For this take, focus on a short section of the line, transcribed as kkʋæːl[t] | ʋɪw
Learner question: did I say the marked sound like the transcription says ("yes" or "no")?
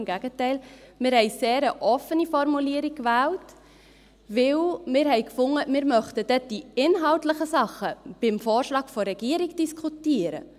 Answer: yes